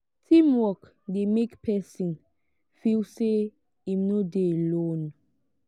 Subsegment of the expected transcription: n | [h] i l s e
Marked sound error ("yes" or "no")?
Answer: yes